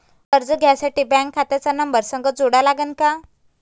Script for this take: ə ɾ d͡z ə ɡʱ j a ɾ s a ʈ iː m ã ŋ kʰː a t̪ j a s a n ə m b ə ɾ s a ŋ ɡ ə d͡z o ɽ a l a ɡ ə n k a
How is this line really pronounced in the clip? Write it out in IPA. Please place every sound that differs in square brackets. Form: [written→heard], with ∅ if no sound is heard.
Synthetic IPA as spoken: ə ɾ d͡z ə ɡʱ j a [ɾ→∅] s a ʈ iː [m→b] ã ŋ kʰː a t̪ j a [s→t͡s] a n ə m b ə ɾ s [a→ə] ŋ ɡ ə d͡z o ɽ a l a ɡ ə n k a